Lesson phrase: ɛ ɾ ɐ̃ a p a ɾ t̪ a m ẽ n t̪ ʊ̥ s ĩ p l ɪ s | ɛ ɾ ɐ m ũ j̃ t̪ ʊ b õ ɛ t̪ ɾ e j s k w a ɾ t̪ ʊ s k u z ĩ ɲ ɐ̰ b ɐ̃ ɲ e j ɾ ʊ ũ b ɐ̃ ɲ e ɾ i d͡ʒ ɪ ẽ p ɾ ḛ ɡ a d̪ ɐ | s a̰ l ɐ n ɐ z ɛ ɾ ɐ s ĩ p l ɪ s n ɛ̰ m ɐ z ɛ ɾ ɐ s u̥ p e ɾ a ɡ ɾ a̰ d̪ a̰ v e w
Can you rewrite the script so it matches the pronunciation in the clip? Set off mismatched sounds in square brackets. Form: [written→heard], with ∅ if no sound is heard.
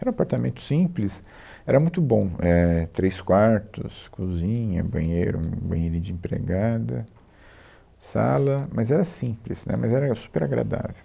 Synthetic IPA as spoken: ɛ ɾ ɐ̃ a p a ɾ t̪ a m ẽ n t̪ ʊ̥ s ĩ p l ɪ s | ɛ ɾ ɐ m ũ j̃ t̪ ʊ b õ ɛ t̪ ɾ e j s k w a ɾ t̪ ʊ s k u z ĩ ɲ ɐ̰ b ɐ̃ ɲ e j ɾ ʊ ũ b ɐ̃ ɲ e ɾ i d͡ʒ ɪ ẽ p ɾ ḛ ɡ a d̪ ɐ | s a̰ l ɐ [n→m] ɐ z ɛ ɾ ɐ s ĩ p l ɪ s n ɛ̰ m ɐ z ɛ ɾ ɐ s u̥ p e ɾ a ɡ ɾ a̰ d̪ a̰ v e w